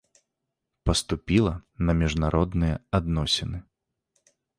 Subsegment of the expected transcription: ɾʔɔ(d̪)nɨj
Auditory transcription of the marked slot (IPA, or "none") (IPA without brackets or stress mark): d̪